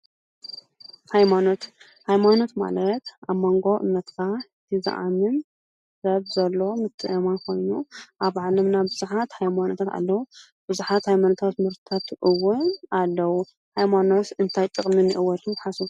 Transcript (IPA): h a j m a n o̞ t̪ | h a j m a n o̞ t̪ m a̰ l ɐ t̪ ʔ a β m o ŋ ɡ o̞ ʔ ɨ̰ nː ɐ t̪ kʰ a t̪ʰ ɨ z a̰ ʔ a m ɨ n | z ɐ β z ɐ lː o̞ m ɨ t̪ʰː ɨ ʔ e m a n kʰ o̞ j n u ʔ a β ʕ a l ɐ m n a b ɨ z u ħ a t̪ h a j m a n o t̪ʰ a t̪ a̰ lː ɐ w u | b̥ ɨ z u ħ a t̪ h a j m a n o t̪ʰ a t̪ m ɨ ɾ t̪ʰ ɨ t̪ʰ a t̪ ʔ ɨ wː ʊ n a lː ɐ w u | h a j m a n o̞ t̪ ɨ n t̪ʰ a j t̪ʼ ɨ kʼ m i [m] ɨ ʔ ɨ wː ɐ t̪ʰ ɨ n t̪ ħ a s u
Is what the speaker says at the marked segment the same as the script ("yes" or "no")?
no